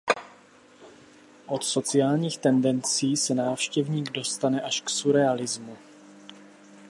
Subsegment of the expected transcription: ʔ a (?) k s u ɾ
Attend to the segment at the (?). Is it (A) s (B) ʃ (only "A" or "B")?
B